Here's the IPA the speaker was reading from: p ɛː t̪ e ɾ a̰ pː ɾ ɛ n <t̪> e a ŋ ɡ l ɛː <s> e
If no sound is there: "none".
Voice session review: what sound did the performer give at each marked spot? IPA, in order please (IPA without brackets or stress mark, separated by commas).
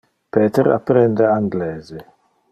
d̪, z